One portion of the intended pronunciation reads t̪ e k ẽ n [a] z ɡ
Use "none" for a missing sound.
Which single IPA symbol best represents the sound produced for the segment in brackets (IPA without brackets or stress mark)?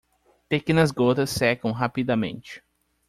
ɐ